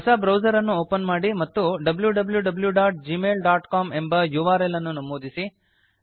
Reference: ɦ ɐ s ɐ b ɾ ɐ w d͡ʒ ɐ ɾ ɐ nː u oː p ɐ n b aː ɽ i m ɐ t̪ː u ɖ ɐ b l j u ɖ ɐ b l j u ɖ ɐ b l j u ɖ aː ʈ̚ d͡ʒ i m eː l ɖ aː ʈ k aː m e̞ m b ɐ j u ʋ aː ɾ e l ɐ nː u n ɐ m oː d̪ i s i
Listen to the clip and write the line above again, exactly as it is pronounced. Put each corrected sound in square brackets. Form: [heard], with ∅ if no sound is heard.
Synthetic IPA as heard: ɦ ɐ s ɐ b ɾ ɐ w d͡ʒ ɐ ɾ ɐ nː u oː p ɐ n [m] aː ɽ i m ɐ t̪ː u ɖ ɐ b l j u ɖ ɐ b l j u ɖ ɐ b l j u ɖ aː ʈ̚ d͡ʒ i m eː l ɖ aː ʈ k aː m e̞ m b ɐ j u ʋ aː ɾ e l ɐ nː u n ɐ m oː d̪ i s i

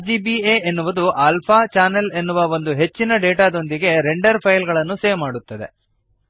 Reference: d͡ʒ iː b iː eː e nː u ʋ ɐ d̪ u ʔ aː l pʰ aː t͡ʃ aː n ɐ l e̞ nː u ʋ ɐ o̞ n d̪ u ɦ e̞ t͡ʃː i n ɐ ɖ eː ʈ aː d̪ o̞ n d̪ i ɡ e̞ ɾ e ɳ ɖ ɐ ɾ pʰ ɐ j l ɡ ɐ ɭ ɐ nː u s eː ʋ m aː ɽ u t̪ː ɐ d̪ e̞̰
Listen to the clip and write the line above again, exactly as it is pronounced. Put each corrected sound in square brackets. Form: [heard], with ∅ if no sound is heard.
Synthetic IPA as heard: d͡ʒ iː b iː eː e nː u ʋ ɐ d̪ u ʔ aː l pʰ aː t͡ʃ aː n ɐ l e̞ nː u ʋ ɐ o̞ n d̪ u ɦ e̞ t͡ʃː i n ɐ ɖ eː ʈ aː d̪ o̞ n d̪ i ɡ e̞ ɾ e ɳ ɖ ɐ ɾ pʰ ɐ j l ɡ ɐ ɭ ɐ nː u s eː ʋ m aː ɽ u t̪ː ɐ d̪ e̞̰

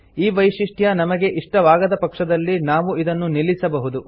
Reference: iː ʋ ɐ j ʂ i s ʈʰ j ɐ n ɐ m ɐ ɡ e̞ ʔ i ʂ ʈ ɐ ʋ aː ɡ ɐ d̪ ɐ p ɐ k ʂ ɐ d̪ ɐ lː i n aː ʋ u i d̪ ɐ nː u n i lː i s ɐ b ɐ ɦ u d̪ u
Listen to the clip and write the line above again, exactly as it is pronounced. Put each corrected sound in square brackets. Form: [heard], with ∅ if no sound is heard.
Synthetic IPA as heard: iː ʋ ɐ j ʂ i [ʂ] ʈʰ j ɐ n ɐ m ɐ ɡ e̞ ʔ i ʂ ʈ ɐ ʋ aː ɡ ɐ d̪ ɐ p ɐ k ʂ ɐ d̪ ɐ lː i n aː ʋ u i d̪ ɐ nː u n i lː i s ɐ b ɐ ɦ u d̪ u

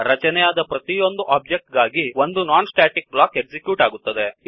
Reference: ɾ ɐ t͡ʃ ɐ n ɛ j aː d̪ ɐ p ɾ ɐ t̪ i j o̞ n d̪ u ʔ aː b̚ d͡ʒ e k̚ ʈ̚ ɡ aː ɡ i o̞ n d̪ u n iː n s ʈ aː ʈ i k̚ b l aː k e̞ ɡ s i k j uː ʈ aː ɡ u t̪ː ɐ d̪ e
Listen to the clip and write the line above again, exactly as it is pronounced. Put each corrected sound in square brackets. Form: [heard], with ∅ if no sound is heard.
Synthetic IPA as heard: ɾ ɐ t͡ʃ ɐ n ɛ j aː d̪ ɐ p ɾ ɐ t̪ i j o̞ n d̪ u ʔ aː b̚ d͡ʒ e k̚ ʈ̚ ɡ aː ɡ i o̞ n d̪ u n [aː] n s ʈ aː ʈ i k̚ b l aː k e̞ ɡ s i k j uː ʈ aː ɡ u t̪ː ɐ d̪ e

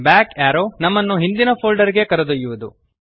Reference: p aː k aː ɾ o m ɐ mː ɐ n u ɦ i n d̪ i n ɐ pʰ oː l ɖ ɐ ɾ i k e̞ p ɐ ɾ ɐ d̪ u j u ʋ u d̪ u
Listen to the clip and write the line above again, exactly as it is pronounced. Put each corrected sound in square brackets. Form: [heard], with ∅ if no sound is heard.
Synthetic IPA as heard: [b] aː k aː ɾ o [n] ɐ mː ɐ [nː] u ɦ i n d̪ i n ɐ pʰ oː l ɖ ɐ ɾ i [ɡ] e̞ [k] ɐ ɾ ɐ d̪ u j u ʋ u d̪ u

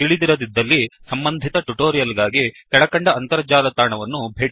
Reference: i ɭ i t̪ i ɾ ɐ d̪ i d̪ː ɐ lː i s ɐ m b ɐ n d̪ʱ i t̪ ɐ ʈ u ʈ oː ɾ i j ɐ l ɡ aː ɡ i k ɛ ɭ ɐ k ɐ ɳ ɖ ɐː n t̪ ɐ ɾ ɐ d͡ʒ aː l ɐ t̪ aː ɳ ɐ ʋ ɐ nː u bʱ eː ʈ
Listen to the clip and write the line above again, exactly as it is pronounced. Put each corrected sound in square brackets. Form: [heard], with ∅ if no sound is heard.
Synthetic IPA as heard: i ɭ i [d̪] i ɾ ɐ d̪ i d̪ː ɐ lː i s ɐ m b ɐ n d̪ʱ i t̪ ɐ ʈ u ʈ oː ɾ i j ɐ l ɡ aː ɡ i k ɛ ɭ ɐ k ɐ ɳ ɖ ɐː n t̪ ɐ ɾ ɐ d͡ʒ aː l ɐ t̪ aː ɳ ɐ ʋ ɐ nː u bʱ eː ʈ

